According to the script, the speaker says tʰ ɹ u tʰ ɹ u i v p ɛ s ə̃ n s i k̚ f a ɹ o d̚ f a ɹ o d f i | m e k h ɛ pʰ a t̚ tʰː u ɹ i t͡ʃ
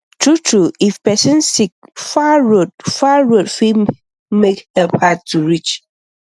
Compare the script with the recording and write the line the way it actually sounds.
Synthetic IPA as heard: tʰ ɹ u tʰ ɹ u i f p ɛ s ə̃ n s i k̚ f a ɹ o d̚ f a ɹ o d f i | m e k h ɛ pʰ a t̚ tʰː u ɹ i t͡ʃ